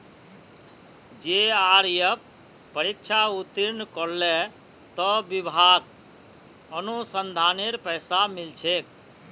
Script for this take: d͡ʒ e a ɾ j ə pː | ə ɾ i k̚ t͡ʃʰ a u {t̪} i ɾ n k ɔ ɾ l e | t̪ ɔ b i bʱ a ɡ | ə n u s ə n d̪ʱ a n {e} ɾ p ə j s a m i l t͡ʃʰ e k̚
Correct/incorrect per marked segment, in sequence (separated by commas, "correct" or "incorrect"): correct, correct